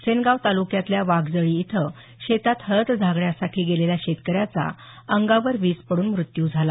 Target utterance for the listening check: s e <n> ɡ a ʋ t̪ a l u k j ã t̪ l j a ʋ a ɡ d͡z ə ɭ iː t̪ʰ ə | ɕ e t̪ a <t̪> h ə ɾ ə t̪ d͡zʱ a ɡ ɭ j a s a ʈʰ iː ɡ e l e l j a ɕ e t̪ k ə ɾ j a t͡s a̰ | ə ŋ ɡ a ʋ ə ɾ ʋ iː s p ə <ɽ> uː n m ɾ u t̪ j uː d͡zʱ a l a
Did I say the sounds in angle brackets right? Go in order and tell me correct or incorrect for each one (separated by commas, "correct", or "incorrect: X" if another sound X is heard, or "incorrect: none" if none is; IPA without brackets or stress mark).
correct, correct, correct